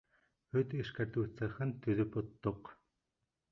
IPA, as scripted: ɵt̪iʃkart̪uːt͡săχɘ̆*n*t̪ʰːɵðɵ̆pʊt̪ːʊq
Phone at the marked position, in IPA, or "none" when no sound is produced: n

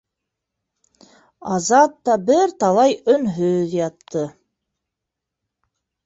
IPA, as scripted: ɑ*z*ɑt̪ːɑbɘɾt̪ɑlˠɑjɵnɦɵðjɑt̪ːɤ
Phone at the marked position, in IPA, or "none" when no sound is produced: z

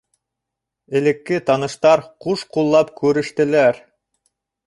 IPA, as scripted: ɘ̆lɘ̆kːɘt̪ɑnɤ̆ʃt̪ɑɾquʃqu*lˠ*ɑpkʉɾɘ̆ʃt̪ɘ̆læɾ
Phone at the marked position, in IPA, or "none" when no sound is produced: lˠː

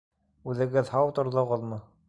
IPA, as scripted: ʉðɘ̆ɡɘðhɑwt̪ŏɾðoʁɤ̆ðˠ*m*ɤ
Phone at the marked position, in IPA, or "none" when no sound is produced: m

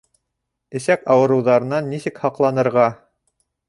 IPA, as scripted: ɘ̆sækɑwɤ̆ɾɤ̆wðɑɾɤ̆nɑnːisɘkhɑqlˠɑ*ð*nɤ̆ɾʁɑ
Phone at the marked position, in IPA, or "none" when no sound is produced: none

